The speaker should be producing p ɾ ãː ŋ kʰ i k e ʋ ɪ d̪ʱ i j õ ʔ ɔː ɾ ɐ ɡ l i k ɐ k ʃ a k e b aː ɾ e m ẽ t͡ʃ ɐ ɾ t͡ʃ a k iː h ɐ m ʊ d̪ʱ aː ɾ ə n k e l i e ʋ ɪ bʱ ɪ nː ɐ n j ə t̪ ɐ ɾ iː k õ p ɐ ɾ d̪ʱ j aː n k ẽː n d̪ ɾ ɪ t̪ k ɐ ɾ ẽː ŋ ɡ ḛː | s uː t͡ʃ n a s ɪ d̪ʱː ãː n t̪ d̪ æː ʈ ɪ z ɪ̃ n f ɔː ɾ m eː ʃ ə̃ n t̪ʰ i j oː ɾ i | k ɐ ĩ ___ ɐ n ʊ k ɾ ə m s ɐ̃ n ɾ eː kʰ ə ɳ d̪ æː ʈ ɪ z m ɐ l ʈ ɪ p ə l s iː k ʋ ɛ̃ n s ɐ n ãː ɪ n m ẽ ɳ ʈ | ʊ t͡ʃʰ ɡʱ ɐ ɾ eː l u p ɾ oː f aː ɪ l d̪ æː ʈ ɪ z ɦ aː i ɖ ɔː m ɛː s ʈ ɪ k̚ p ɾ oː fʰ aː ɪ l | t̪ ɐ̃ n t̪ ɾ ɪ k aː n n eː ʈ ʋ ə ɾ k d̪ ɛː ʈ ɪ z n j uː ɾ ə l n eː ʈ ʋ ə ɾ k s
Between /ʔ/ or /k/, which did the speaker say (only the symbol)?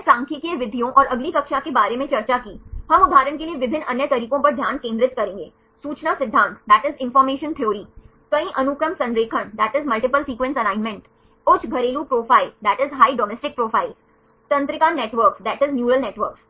ʔ